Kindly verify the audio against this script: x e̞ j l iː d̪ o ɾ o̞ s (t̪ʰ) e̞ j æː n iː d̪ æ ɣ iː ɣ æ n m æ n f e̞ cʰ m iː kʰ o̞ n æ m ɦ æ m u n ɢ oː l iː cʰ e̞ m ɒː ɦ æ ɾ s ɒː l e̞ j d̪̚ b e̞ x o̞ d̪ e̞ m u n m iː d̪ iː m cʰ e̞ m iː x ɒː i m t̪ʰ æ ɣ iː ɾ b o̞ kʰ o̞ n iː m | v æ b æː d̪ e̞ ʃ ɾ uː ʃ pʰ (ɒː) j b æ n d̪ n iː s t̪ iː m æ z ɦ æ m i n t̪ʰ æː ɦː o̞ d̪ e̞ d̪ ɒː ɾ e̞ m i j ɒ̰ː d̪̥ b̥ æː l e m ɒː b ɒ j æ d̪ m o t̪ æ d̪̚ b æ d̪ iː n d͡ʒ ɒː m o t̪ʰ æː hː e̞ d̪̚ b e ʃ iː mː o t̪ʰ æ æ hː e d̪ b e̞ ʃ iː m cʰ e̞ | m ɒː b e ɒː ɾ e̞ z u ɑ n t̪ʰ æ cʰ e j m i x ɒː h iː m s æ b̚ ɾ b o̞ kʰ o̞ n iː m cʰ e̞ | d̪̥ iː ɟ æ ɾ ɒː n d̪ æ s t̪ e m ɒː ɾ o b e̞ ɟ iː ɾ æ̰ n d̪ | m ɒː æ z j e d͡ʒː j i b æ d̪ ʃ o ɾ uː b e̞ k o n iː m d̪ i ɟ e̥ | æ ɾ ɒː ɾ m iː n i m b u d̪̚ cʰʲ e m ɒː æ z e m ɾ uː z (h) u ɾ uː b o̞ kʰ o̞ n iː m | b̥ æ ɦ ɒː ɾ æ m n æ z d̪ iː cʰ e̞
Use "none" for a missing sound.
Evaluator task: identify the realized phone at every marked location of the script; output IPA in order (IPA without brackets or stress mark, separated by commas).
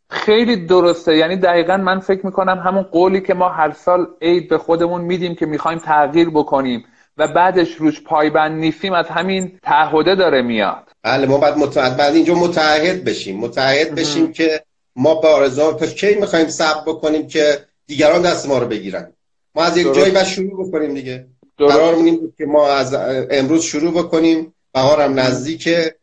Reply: t̪, ɒː, ʃ